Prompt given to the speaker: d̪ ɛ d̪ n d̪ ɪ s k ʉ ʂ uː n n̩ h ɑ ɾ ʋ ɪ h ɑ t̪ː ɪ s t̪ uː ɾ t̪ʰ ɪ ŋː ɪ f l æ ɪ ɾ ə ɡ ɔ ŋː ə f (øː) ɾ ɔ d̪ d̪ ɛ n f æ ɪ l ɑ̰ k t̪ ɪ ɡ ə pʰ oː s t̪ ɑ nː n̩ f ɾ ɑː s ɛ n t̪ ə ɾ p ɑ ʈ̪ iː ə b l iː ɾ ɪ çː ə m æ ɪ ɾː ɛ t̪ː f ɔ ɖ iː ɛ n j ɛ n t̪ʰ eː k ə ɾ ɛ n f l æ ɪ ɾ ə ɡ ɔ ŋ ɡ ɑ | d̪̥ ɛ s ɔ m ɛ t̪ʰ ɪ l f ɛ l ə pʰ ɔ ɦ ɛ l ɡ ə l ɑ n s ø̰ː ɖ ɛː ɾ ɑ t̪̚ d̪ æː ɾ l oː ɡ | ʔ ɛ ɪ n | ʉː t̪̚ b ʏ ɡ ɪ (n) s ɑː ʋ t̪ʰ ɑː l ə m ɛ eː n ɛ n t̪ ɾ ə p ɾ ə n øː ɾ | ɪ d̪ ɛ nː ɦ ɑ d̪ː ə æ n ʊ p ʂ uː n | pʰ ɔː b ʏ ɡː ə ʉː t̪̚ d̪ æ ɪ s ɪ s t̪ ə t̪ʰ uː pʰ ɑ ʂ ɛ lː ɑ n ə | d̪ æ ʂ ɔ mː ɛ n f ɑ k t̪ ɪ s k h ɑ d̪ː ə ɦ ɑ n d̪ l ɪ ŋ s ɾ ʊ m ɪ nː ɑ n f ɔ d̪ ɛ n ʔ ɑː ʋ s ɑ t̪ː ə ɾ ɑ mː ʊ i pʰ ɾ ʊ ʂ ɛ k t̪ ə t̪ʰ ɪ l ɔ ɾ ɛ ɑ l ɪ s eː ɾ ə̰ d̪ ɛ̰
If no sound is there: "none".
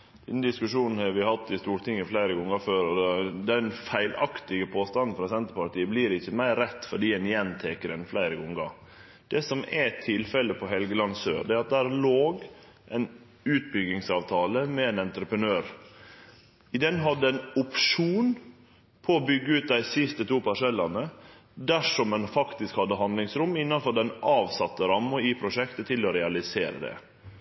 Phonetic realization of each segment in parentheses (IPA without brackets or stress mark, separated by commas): øː, ŋ